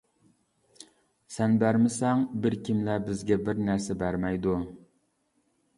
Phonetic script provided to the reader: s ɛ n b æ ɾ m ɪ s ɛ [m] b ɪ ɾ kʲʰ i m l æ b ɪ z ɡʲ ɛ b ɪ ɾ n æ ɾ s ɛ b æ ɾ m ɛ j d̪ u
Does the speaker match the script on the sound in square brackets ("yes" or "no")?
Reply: no